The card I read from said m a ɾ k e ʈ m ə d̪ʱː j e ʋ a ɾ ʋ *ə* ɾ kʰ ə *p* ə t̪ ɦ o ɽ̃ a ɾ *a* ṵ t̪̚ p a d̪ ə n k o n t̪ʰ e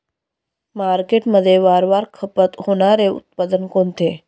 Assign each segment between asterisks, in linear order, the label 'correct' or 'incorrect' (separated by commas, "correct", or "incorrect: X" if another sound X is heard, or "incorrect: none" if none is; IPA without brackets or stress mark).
incorrect: a, correct, incorrect: e